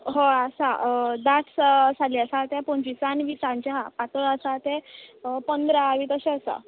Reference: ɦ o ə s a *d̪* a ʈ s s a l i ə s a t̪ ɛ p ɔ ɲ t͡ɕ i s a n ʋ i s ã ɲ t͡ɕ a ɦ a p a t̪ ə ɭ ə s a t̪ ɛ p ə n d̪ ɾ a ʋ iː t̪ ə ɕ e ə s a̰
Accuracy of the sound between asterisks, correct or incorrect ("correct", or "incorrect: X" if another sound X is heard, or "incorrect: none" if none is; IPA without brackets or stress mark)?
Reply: correct